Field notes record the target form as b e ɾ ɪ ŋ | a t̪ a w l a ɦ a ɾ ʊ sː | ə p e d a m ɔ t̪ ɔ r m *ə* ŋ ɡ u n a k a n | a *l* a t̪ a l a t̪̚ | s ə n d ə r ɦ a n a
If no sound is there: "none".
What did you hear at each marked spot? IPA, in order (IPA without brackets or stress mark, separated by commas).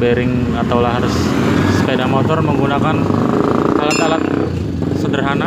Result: ə, l